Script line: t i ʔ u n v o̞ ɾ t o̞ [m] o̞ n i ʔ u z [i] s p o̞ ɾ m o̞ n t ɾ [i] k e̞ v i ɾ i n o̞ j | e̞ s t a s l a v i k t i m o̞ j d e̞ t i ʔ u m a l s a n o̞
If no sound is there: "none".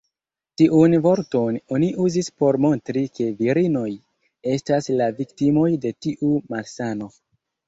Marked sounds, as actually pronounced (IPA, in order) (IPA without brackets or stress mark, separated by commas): n, i, i